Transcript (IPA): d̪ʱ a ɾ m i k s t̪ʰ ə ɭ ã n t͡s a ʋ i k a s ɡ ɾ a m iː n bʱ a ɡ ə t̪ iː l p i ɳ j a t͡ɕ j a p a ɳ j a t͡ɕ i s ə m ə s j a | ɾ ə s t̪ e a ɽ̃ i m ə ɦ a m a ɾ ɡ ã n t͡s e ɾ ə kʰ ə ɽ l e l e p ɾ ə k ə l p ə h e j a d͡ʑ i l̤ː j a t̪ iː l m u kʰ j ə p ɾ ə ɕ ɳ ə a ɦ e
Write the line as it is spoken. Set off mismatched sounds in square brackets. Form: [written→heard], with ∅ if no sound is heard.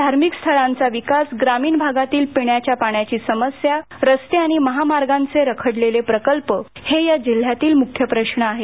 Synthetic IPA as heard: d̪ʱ a ɾ m i k s t̪ʰ ə ɭ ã n t͡s a ʋ i k a s ɡ ɾ a m iː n bʱ a ɡ [ə→a] t̪ iː l p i ɳ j a t͡ɕ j a p a ɳ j a t͡ɕ [i→iː] s ə m ə s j a | ɾ ə s t̪ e a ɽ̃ i m ə ɦ a m a ɾ ɡ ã n t͡s e ɾ ə kʰ ə ɽ l e l e p ɾ ə k ə l p ə h e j a d͡ʑ i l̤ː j a t̪ iː l m u kʰ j ə p ɾ ə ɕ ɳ ə a ɦ e